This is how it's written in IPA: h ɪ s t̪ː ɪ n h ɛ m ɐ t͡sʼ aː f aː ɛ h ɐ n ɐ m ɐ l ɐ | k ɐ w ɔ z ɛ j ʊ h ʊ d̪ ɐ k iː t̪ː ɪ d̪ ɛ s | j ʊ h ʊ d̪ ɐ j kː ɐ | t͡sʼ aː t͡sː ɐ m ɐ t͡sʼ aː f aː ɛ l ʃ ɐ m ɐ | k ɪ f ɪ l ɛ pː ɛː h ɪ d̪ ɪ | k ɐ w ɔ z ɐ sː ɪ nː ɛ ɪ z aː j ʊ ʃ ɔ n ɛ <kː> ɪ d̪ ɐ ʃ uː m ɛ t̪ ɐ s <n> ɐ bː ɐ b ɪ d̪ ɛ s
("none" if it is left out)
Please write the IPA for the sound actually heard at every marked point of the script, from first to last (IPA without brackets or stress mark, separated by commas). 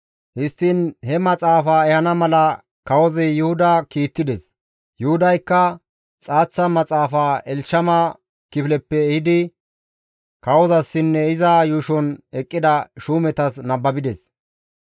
kʼː, n